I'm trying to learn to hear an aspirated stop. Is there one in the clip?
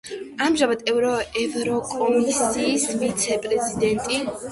no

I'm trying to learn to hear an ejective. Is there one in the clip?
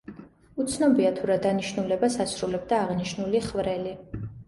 no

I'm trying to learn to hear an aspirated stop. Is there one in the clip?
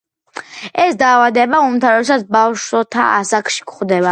yes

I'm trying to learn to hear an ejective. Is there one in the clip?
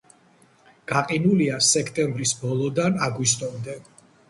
yes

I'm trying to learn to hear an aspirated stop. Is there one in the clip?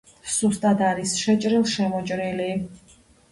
no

